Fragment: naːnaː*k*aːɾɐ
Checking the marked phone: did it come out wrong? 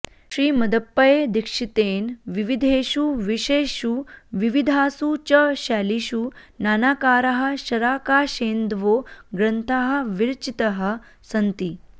no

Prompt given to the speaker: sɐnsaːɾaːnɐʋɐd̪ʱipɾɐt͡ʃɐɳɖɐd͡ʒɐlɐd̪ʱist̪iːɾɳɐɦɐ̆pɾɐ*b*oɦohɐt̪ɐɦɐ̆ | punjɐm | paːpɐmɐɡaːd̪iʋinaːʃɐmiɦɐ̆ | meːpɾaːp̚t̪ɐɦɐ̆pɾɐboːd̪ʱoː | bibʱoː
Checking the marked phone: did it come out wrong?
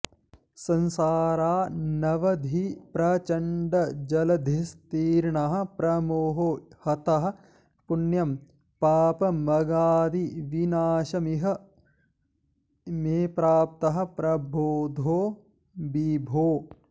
yes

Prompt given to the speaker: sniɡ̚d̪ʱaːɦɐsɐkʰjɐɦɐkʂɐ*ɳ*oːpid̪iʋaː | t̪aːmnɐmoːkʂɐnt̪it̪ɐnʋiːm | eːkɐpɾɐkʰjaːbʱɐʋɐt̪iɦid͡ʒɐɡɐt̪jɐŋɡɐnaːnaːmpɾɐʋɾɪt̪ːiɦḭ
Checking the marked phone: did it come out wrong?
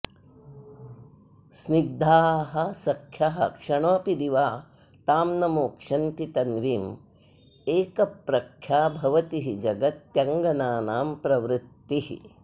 no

